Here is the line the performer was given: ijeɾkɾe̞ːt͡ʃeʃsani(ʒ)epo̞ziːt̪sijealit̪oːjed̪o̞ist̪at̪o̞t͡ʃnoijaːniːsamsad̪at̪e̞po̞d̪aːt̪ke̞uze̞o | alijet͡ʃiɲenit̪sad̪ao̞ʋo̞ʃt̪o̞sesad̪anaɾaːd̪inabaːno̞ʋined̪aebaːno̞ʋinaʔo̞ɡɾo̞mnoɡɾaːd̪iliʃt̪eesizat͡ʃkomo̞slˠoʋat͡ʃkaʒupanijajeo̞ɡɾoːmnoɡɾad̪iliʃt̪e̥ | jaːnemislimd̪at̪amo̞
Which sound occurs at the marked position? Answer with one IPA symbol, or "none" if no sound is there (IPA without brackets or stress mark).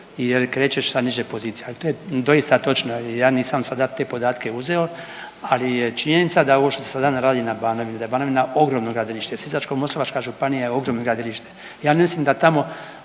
ʒ